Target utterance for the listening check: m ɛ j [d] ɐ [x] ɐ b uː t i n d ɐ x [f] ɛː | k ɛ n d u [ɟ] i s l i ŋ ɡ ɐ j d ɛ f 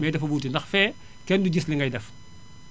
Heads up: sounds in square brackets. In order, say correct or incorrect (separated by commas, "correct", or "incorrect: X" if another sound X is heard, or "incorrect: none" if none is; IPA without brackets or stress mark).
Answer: correct, incorrect: f, correct, correct